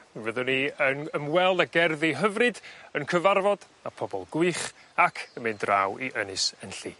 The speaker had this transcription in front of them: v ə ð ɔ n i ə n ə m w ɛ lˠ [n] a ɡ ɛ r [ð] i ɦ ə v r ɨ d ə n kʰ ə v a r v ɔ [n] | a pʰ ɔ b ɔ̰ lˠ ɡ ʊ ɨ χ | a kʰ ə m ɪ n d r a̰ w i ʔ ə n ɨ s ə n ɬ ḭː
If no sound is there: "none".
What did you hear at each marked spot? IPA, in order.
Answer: d, ð, d

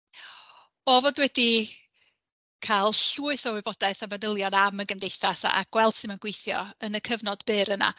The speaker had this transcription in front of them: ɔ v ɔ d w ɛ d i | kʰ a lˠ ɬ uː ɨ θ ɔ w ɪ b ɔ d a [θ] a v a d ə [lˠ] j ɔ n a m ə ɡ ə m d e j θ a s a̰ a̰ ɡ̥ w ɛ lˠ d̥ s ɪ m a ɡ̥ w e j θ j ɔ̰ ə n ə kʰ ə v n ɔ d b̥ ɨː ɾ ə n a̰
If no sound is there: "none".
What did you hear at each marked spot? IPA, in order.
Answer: θ, lˠ

